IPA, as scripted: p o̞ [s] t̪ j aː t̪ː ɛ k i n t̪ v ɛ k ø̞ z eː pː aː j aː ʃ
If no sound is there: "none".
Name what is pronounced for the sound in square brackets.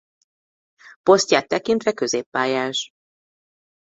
s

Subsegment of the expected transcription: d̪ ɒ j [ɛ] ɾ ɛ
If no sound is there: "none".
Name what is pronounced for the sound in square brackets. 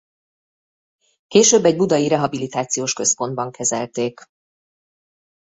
i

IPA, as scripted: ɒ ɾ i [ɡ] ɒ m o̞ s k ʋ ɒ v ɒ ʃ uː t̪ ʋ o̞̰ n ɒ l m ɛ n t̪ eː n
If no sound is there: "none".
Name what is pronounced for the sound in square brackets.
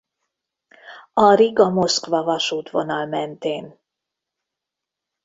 ɡ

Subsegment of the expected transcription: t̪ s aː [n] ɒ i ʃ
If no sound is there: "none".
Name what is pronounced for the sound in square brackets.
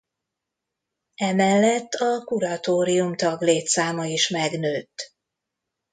m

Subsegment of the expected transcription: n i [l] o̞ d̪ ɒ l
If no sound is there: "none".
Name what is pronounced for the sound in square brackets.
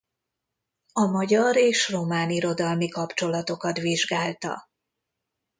ɾ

